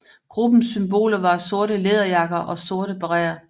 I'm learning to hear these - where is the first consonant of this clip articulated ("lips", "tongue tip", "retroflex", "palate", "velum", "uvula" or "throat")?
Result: velum